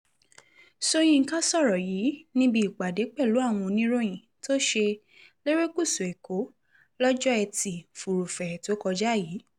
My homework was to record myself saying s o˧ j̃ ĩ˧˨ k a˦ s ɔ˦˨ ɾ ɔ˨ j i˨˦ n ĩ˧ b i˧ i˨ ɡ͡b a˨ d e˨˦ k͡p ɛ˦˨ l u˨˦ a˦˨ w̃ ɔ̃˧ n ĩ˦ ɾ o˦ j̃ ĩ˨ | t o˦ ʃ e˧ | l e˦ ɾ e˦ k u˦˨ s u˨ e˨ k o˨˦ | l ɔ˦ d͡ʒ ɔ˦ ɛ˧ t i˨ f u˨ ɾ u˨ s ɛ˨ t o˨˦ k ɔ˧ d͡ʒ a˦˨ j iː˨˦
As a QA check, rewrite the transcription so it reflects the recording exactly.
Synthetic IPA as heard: s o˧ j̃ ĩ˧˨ k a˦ s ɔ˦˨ ɾ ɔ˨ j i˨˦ n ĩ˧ b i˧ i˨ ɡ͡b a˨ d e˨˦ k͡p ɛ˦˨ l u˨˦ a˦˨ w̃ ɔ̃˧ n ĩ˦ ɾ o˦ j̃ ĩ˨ | t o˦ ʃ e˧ | l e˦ ɾ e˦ k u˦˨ s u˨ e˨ k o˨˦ | l ɔ˦ d͡ʒ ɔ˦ ɛ˧ t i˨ f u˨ ɾ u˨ f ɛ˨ t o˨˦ k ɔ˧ d͡ʒ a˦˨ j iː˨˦